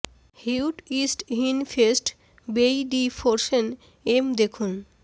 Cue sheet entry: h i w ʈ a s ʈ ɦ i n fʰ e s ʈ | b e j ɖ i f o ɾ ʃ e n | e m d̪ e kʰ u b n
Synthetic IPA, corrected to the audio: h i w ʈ i s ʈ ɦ i n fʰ e s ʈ | b e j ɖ i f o ɾ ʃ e n | e m d̪ e kʰ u n